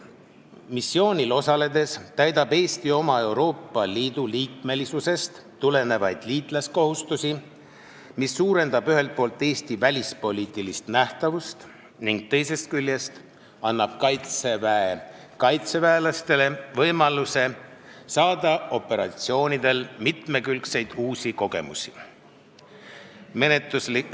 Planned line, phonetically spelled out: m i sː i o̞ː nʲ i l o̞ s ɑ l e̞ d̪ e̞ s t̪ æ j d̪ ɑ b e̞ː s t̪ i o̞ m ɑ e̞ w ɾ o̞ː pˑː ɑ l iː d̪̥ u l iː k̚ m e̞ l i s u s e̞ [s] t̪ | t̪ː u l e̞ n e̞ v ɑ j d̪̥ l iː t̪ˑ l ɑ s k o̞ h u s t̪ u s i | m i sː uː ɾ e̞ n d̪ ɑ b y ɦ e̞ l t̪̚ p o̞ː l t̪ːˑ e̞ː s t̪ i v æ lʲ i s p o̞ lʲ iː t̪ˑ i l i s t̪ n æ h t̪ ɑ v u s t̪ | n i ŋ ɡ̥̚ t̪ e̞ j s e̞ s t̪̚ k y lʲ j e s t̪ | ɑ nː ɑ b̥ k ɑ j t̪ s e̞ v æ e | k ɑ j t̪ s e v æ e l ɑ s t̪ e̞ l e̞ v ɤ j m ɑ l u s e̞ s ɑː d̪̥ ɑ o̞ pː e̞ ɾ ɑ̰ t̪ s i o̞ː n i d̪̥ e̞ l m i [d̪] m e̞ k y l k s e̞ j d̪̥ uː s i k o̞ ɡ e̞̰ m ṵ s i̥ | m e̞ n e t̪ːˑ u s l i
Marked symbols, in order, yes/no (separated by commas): yes, no